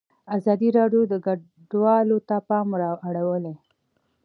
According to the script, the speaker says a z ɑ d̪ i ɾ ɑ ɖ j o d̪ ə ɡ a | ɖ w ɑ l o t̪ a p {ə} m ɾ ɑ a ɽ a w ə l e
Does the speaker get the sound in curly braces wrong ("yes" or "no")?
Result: yes